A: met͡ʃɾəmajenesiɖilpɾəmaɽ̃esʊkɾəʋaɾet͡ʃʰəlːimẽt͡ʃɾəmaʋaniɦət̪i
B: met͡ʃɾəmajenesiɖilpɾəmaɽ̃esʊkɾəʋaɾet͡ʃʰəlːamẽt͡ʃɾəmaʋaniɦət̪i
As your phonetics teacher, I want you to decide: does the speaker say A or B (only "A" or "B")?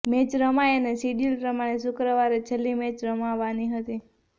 A